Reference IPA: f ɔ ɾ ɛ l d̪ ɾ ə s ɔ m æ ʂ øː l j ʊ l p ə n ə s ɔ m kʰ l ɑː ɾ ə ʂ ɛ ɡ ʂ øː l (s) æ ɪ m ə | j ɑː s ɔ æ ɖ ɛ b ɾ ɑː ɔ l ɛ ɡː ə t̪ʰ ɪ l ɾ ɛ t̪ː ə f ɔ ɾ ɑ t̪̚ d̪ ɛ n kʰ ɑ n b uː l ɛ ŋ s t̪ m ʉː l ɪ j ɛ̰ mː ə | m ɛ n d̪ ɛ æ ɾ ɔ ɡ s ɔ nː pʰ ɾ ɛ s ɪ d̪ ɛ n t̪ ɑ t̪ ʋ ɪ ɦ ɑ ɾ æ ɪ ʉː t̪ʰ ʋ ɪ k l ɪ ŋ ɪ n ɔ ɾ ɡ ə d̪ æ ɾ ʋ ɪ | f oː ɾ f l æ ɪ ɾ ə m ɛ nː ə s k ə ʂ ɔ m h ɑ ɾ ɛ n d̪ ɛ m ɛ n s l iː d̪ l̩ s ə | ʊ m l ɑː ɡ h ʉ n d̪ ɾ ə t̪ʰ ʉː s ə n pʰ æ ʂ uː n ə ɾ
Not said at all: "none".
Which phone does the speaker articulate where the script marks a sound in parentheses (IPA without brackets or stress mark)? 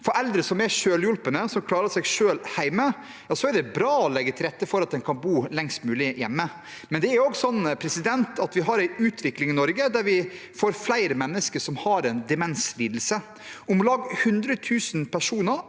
h